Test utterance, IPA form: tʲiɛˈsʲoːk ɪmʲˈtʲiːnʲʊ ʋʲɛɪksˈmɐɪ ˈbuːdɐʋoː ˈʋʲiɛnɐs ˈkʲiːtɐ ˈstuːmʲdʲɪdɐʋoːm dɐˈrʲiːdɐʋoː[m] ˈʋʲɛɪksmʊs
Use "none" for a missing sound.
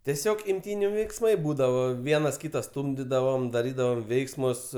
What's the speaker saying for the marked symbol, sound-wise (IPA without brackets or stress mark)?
m